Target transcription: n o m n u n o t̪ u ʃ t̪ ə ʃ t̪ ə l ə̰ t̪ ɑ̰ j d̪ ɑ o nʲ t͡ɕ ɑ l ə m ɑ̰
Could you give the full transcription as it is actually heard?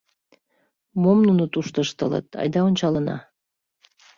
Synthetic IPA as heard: m o m n u n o t̪ u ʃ t̪ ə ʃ t̪ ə l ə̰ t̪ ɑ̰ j d̪ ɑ o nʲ t͡ɕ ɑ l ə n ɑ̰